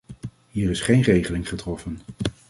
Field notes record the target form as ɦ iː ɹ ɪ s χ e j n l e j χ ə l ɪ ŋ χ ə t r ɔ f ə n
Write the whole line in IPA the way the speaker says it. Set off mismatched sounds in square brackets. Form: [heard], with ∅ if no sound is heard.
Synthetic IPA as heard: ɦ iː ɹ ɪ s χ e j n [r] e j χ ə l ɪ ŋ χ ə t r ɔ f ə n